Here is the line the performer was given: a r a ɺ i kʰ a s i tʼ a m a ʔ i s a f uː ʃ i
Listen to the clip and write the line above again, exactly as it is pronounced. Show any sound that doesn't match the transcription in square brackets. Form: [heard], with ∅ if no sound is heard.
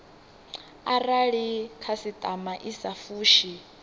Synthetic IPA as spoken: a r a ɺ i kʰ a s i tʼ a m a ʔ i s a f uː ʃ i